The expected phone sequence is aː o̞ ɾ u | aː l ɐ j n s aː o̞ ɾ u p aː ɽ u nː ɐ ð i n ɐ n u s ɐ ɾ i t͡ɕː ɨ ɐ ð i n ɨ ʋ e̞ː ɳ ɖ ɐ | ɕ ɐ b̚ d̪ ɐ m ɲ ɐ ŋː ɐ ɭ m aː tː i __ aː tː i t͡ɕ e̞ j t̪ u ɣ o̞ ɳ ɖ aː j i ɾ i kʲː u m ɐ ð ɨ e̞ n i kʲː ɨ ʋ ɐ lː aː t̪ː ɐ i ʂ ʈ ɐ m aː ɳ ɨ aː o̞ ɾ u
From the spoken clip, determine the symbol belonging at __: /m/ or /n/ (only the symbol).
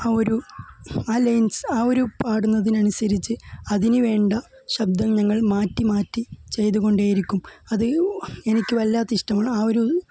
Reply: m